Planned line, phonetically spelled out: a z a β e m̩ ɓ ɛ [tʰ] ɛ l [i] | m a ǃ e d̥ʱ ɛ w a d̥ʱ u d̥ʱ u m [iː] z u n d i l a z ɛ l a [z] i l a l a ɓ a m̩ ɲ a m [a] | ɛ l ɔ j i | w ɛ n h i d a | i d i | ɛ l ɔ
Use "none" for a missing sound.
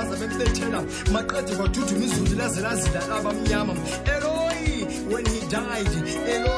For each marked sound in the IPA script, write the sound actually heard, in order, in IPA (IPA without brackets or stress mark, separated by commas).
tʰ, a, i, z, a